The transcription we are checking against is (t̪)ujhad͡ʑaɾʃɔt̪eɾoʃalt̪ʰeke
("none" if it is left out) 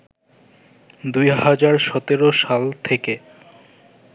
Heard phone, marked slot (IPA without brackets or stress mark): d̪